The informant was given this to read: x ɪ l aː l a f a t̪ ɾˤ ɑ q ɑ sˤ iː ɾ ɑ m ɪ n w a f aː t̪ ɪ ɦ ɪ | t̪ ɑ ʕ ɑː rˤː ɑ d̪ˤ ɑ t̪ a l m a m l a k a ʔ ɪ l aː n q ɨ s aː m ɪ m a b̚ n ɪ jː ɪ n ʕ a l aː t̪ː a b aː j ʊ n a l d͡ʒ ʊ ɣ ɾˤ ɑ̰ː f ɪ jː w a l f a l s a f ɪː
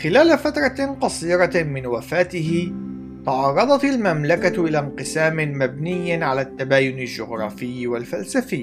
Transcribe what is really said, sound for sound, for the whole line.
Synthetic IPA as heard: x ɪ l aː l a f a t̪ ɾˤ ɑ q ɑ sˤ iː ɾ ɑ m ɪ n w a f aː t̪ ɪ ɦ ɪ | t̪ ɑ ʕ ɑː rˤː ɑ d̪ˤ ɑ t̪ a l m a m l a k a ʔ ɪ l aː n q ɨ s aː m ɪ m a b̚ n ɪ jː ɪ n ʕ a l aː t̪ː a b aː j ʊ n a l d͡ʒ ʊ ɣ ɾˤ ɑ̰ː f ɪ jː w a l f a l s a f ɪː